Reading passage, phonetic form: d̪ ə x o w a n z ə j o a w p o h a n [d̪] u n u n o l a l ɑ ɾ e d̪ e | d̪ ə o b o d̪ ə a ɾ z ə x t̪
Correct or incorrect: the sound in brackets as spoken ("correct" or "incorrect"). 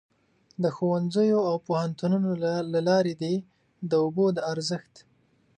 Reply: incorrect